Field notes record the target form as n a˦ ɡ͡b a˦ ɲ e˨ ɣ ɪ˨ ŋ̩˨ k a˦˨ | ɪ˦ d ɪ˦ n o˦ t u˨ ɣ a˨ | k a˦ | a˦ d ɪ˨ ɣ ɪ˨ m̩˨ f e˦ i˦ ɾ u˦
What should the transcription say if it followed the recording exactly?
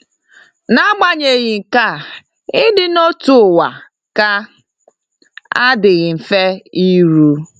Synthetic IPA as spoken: n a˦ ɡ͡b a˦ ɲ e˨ ɣ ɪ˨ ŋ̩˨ k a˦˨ | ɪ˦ d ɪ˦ n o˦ t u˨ w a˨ | k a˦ | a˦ d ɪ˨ ɣ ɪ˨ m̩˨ f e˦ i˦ ɾ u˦